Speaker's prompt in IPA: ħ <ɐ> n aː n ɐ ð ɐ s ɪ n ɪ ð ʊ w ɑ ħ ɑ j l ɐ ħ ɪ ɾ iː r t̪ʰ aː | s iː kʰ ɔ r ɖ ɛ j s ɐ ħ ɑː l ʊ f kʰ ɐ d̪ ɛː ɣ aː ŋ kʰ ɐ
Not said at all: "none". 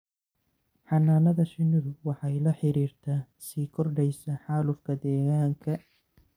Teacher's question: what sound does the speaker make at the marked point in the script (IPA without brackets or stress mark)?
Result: ɑ